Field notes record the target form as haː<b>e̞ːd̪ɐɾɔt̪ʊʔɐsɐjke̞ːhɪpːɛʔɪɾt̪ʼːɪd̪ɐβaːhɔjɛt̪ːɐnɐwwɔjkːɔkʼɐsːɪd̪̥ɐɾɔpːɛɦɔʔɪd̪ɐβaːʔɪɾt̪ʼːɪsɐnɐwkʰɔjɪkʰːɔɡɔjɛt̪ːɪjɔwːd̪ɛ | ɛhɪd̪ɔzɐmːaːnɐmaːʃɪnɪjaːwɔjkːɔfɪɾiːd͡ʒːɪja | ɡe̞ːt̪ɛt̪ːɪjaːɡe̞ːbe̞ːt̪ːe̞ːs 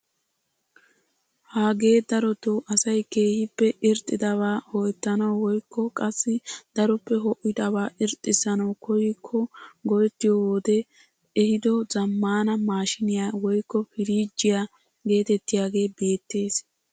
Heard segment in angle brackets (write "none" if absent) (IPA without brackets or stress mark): ɡ